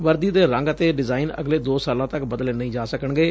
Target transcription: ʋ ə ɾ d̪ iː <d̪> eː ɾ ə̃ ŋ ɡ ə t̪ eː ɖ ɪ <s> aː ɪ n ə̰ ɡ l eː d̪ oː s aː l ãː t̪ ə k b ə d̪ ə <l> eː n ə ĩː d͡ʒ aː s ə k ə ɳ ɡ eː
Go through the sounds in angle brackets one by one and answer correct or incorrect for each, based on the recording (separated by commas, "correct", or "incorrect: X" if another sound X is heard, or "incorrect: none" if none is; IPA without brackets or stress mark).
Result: correct, incorrect: z, correct